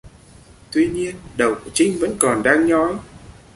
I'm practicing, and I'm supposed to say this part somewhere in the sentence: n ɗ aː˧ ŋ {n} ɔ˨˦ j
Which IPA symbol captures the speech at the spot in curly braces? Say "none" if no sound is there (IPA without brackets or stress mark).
ɲ